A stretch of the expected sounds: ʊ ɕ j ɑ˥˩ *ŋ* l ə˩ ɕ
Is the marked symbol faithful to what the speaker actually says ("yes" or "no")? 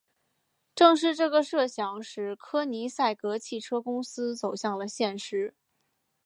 yes